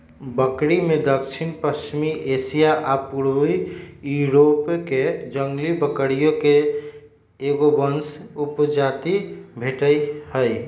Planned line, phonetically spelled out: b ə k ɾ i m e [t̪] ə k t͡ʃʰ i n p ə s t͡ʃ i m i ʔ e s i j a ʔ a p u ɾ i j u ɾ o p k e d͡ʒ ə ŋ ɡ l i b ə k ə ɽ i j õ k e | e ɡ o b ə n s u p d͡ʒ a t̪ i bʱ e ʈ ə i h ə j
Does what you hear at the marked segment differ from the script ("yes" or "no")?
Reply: yes